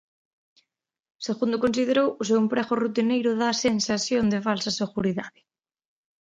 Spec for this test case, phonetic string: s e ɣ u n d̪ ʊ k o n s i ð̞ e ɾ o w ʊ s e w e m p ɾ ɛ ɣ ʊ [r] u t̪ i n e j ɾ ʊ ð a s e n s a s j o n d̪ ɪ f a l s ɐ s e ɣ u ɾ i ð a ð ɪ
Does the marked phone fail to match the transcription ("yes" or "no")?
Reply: no